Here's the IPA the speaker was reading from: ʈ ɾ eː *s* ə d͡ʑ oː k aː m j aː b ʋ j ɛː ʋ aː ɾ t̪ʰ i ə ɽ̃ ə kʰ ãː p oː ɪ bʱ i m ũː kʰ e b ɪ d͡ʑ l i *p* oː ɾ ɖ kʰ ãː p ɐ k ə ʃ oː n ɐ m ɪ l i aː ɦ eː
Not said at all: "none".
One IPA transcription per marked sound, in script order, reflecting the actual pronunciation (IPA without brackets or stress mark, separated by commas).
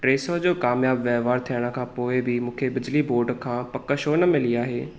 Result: s, b